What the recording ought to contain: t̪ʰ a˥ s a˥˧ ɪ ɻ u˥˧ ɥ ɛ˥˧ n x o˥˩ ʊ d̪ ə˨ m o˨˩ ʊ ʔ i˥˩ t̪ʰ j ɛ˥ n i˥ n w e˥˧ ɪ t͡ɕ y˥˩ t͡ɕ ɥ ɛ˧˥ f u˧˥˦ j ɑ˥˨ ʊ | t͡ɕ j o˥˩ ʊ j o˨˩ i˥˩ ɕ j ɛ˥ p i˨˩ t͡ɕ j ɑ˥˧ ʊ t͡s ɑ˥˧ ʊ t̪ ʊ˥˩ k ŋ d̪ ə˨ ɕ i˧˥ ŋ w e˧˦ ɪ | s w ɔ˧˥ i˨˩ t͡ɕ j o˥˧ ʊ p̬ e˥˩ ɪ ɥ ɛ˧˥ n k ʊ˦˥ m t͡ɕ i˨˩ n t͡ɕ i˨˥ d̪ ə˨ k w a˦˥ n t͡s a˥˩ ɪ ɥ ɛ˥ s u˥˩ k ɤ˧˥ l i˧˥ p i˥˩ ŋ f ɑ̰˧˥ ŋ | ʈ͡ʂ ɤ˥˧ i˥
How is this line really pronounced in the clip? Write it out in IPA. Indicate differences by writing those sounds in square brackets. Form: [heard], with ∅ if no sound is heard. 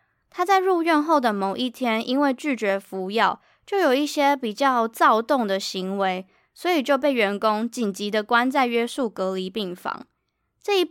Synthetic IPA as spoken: t̪ʰ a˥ [t͡s] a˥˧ ɪ ɻ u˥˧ ɥ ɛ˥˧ n x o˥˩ ʊ d̪ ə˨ m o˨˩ ʊ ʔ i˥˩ t̪ʰ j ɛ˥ n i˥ n w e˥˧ ɪ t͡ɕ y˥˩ t͡ɕ ɥ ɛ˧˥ f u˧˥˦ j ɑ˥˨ ʊ | t͡ɕ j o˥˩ ʊ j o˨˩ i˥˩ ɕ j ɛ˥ p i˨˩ t͡ɕ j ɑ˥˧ ʊ t͡s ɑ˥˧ ʊ t̪ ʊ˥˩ [∅] ŋ d̪ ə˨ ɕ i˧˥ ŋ w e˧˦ ɪ | s w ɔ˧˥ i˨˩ t͡ɕ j o˥˧ ʊ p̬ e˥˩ ɪ ɥ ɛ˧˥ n k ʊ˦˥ [ŋ] t͡ɕ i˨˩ n t͡ɕ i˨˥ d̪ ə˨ k w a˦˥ n t͡s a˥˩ ɪ ɥ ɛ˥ s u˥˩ k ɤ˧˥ l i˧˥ p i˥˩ ŋ f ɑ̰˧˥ ŋ | ʈ͡ʂ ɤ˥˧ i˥